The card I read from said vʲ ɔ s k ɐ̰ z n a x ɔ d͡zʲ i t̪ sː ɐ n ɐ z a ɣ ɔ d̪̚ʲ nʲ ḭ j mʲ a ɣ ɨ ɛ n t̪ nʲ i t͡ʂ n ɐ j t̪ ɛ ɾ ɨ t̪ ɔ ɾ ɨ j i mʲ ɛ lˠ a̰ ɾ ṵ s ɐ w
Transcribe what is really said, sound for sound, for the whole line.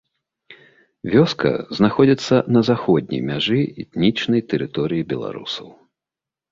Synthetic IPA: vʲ ɔ s k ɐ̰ z n a x ɔ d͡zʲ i t̪ sː ɐ n ɐ z a x ɔ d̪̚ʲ nʲ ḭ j mʲ a ʐ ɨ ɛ t̪ nʲ i t͡ʂ n ɐ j t̪ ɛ ɾ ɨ t̪ ɔ ɾ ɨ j i bʲ ɛ lˠ a̰ ɾ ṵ s ɐ w